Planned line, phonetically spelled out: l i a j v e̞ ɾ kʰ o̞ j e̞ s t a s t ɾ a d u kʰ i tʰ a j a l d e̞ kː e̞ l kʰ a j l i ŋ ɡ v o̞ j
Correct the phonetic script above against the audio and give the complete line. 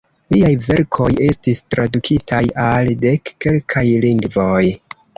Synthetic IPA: l i a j v e̞ ɾ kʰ o̞ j e̞ s t i s t ɾ a d u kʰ i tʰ a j a l d e̞ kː e̞ l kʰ a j l i ŋ ɡ v o̞ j